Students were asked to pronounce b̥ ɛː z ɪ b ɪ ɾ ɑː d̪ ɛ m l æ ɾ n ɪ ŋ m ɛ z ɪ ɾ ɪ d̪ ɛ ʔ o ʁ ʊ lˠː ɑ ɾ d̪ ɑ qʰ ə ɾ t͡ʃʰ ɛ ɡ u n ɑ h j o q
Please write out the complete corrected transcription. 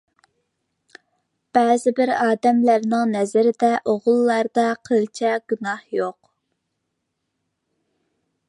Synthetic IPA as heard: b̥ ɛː z ɪ b ɪ ɾ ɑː d̪ ɛ m l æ ɾ n ɪ ŋ n ɛ z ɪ ɾ ɪ d̪ ɛ ʔ o ʁ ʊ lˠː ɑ ɾ d̪ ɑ qʰ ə l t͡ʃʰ ɛ ɡ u n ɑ h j o q